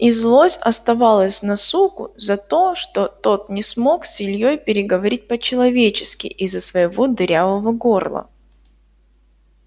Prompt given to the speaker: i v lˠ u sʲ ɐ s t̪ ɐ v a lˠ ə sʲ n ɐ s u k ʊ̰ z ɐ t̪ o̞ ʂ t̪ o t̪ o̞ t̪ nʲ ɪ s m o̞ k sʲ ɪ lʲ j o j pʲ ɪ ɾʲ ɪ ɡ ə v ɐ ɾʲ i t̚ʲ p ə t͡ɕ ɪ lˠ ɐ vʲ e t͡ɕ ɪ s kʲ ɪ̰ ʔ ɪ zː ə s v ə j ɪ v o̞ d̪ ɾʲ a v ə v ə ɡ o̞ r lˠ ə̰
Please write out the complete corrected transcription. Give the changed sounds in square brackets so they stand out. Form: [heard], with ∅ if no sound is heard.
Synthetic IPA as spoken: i [z] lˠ [o] sʲ ɐ s t̪ ɐ v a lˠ ə sʲ n ɐ s u k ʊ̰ z ɐ t̪ o̞ ʂ t̪ o t̪ o̞ t̪ nʲ ɪ s m o̞ k sʲ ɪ lʲ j o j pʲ ɪ ɾʲ ɪ ɡ ə v ɐ ɾʲ i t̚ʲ p ə t͡ɕ ɪ lˠ ɐ vʲ e t͡ɕ ɪ s kʲ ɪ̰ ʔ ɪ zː ə s v ə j ɪ v o̞ d̪ ɾʲ a v ə v ə ɡ o̞ r lˠ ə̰

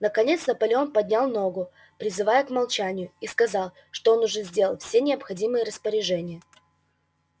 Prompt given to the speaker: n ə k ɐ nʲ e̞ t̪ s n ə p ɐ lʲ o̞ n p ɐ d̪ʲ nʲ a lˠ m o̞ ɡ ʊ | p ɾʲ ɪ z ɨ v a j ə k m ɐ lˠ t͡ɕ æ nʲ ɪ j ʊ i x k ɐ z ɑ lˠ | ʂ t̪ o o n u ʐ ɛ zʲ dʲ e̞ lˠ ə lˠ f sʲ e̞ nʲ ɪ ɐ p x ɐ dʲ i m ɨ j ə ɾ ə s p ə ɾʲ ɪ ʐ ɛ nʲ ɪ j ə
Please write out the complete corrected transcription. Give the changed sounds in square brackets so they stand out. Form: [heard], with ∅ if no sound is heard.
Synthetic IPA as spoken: n ə k ɐ nʲ e̞ t̪ s n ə p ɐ lʲ o̞ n p ɐ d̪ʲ nʲ a lˠ [n] o̞ ɡ ʊ | p ɾʲ ɪ z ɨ v a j ə k m ɐ lˠ t͡ɕ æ nʲ ɪ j ʊ i [s] k ɐ z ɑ lˠ | ʂ t̪ o o n [ʊ] ʐ ɛ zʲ dʲ e̞ lˠ ə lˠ f sʲ e̞ nʲ ɪ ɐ p x ɐ dʲ i m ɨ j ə ɾ ə s p ə ɾʲ ɪ ʐ ɛ nʲ ɪ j ə

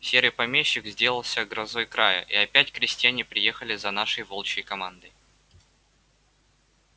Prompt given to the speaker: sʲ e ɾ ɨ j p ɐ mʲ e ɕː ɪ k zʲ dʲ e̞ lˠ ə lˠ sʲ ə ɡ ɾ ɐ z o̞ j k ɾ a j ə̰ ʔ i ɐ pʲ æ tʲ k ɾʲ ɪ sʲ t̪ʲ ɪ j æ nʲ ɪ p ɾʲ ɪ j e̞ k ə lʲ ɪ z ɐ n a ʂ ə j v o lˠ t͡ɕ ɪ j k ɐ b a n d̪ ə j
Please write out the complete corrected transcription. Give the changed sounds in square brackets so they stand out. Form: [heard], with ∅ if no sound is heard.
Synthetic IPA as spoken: sʲ e ɾ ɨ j p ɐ mʲ e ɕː ɪ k zʲ dʲ e̞ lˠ ə lˠ sʲ ə ɡ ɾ ɐ z o̞ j k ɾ a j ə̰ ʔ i ɐ pʲ æ tʲ k ɾʲ ɪ sʲ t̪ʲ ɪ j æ nʲ ɪ p ɾʲ ɪ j e̞ [x] ə lʲ ɪ z ɐ n a ʂ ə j v o lˠ t͡ɕ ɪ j k ɐ [m] a n d̪ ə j

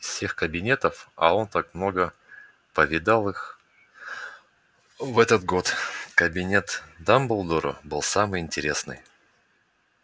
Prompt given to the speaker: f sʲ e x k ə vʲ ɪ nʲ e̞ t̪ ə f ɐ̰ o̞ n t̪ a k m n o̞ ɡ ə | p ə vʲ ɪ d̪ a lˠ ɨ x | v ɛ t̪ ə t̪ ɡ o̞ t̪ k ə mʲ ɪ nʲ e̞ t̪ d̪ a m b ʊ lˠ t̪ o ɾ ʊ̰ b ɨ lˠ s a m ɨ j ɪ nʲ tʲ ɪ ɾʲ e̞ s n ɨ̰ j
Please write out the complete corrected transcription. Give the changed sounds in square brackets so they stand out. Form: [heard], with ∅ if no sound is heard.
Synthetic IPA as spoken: f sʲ e x k ə [bʲ] ɪ nʲ e̞ t̪ ə f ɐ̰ o̞ n t̪ a k m n o̞ ɡ ə | p ə vʲ ɪ d̪ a lˠ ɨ x | v ɛ t̪ ə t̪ ɡ o̞ t̪ k ə [bʲ] ɪ nʲ e̞ t̪ d̪ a m b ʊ lˠ [d̪] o ɾ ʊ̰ b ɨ lˠ s a m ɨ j ɪ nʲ tʲ ɪ ɾʲ e̞ s n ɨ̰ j

